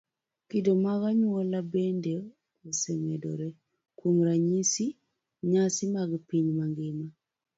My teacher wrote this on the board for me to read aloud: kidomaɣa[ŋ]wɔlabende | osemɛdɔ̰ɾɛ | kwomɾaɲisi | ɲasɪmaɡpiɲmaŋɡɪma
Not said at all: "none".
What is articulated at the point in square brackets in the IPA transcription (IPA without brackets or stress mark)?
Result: ɲ